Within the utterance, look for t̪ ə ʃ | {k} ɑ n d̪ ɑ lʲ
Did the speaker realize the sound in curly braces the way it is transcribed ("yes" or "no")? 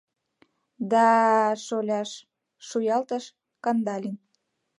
yes